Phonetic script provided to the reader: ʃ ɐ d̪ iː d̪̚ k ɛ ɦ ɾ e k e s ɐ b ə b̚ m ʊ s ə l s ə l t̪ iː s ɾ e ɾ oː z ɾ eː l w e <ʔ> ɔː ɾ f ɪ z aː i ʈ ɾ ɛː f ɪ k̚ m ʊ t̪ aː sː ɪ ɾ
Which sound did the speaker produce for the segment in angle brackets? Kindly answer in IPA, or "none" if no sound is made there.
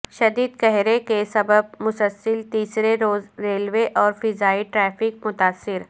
ʔ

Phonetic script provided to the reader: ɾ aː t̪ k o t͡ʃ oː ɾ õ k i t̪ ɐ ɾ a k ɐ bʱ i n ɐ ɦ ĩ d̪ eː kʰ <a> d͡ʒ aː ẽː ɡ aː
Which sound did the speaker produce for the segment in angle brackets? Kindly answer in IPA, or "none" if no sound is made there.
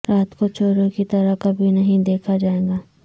a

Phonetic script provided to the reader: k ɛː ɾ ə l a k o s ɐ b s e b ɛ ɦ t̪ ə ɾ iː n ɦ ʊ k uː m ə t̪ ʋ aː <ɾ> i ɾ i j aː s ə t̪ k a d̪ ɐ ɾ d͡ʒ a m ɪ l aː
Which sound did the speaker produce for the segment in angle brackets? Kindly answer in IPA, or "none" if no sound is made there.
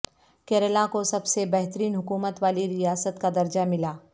l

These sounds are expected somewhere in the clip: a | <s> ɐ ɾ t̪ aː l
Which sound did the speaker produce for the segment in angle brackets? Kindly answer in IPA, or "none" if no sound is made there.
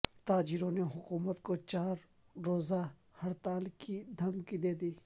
h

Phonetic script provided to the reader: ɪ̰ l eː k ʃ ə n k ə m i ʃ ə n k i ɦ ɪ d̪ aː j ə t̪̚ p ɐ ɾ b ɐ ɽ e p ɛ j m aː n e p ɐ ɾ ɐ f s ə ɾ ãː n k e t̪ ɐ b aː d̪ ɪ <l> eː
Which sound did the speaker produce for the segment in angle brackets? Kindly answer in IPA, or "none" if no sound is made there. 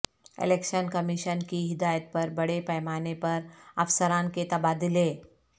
l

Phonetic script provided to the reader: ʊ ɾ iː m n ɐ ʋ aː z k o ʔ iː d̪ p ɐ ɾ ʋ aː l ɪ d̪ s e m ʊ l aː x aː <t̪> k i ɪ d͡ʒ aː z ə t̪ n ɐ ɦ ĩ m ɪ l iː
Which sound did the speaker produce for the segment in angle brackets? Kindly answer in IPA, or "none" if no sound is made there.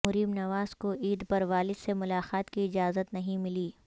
t̪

